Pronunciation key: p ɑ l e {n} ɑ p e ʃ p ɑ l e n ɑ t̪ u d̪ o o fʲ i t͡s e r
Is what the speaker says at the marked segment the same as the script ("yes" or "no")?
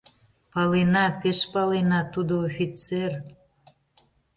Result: yes